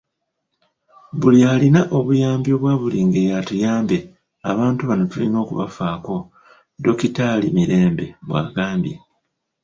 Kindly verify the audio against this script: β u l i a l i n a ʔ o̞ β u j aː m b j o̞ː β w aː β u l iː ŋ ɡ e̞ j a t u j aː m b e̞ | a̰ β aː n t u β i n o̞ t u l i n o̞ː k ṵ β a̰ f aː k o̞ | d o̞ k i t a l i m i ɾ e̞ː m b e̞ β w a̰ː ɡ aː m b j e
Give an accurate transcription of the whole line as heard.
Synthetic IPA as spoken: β u l i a l i n a ʔ o̞ β u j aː m b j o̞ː β w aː β u l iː ŋ ɡ e̞ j a t u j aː m b e̞ | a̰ β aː n t u β a n o̞ t u l i n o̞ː k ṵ β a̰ f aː k o̞ | d o̞ k i t a l i m i ɾ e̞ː m b e̞ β w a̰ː ɡ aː m b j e